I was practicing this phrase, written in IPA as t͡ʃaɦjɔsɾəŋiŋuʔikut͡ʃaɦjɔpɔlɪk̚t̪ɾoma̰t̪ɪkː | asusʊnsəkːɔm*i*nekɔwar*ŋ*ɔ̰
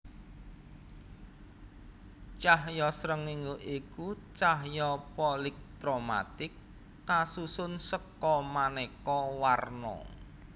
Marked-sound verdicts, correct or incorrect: incorrect: a, incorrect: n

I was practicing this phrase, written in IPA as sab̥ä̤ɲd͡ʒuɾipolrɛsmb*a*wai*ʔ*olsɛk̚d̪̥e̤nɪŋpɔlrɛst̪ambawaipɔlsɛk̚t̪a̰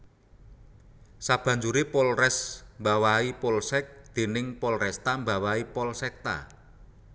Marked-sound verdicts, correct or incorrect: correct, incorrect: p

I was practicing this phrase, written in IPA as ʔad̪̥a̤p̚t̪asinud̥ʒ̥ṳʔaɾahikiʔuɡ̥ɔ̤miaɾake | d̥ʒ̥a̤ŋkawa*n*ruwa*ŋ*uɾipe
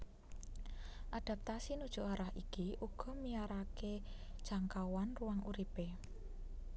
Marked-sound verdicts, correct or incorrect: correct, correct

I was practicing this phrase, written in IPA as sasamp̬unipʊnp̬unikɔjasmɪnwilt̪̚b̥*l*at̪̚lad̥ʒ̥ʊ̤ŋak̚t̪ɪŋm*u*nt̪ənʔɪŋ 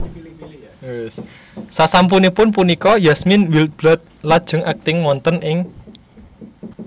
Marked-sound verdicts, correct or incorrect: correct, incorrect: ɔ

